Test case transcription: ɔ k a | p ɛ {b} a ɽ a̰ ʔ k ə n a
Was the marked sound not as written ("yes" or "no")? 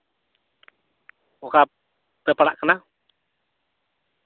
yes